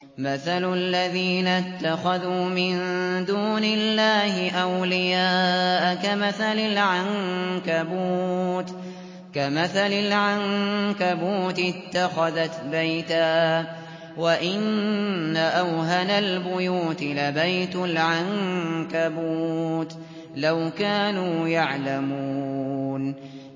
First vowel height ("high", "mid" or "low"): low